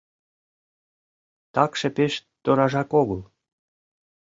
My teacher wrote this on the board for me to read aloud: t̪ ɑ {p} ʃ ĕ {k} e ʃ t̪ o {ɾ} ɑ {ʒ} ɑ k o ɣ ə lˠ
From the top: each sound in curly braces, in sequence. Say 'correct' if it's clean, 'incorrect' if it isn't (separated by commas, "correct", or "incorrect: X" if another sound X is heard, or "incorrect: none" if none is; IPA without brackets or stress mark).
incorrect: k, incorrect: p, correct, correct